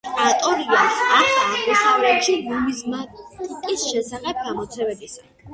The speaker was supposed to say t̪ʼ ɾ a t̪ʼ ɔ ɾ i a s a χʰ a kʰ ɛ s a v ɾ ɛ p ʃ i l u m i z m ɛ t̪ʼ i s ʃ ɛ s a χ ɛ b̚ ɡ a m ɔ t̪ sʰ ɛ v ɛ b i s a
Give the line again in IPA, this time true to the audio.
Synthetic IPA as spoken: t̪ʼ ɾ a t̪ʼ ɔ ɾ i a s a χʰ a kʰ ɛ s a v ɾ ɛ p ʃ i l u m i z m a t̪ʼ i s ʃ ɛ s a χ ɛ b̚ ɡ a m ɔ t̪ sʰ ɛ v ɛ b i s a